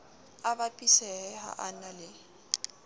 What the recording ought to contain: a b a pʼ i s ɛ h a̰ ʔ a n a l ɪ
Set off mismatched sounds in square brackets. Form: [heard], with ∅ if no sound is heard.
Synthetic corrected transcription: a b a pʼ i s ɛ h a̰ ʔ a n a l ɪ